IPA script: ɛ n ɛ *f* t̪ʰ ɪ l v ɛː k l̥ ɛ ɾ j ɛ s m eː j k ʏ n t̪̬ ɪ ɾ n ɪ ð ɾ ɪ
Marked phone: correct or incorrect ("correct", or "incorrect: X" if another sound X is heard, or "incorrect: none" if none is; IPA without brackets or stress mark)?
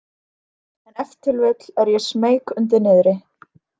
correct